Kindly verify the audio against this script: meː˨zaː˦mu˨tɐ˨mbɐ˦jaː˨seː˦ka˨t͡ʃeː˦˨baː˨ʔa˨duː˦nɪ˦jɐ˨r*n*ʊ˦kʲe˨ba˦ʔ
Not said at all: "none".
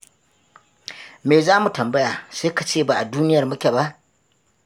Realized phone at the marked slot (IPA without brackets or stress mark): m